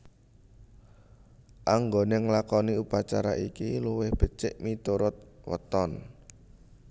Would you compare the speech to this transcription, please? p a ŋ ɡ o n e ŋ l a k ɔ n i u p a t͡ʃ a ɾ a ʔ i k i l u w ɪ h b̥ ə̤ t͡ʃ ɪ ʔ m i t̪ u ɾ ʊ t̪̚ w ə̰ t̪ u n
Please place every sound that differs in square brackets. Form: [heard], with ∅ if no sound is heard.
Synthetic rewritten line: [ʔ] a ŋ ɡ o n e ŋ l a k ɔ n i u p a t͡ʃ a ɾ a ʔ i k i l u w ɪ h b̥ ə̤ t͡ʃ ɪ ʔ m i t̪ u ɾ ʊ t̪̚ w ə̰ t̪ [ɔ] n